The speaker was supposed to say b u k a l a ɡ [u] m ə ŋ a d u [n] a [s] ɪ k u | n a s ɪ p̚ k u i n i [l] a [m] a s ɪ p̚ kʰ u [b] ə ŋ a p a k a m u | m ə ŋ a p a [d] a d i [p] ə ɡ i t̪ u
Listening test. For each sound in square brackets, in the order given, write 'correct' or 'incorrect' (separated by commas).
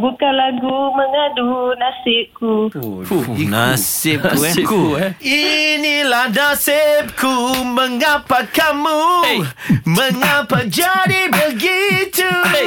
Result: correct, correct, correct, correct, incorrect, incorrect, incorrect, incorrect